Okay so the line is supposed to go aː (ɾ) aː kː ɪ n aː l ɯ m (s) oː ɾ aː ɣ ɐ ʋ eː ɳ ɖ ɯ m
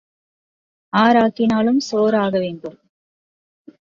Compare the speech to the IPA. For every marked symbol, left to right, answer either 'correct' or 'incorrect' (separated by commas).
correct, correct